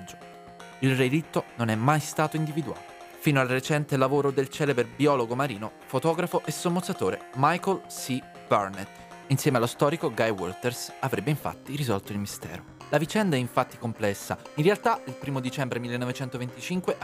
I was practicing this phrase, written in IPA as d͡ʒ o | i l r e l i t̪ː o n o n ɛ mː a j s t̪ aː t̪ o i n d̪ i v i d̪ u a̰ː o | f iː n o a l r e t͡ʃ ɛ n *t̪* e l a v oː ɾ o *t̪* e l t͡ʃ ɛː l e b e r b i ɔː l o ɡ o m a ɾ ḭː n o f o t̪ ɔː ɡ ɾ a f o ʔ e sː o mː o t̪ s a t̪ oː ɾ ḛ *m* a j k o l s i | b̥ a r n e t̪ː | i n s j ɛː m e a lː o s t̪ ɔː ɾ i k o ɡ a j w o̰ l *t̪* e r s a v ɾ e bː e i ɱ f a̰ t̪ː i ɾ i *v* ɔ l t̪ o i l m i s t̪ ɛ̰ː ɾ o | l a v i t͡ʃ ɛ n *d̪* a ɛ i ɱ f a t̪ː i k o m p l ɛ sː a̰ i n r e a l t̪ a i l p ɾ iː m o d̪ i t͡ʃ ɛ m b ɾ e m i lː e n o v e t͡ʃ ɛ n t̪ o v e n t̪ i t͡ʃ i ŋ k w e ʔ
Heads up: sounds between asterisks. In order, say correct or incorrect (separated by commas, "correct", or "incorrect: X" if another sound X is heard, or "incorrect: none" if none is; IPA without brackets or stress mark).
correct, incorrect: d̪, correct, correct, incorrect: z, correct